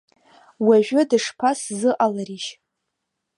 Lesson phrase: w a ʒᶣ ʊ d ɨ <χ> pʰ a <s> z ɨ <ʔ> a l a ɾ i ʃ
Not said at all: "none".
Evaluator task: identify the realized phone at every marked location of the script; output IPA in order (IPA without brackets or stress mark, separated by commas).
ʂ, s, ʔ